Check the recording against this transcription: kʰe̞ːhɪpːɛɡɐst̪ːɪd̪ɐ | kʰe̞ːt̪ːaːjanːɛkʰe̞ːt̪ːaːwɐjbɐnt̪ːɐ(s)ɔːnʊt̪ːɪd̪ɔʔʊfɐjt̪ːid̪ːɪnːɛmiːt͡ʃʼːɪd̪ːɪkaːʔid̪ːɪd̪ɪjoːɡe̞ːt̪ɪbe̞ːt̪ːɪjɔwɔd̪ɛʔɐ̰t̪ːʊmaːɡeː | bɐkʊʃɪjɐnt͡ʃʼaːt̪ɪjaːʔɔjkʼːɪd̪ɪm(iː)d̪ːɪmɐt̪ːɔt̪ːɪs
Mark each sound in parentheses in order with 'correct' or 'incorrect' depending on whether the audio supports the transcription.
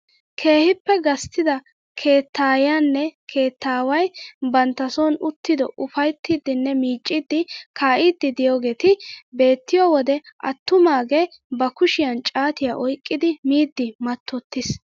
correct, correct

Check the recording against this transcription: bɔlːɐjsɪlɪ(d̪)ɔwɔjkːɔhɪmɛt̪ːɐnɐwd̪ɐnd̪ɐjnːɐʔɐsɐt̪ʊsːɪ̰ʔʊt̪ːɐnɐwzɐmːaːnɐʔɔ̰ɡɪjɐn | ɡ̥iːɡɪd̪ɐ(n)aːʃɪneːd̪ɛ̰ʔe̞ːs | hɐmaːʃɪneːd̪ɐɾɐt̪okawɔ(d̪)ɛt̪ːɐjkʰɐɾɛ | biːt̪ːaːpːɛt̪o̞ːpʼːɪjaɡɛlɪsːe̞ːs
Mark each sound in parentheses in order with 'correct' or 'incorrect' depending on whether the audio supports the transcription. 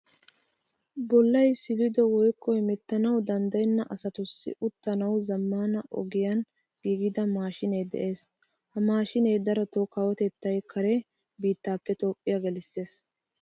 correct, incorrect, incorrect

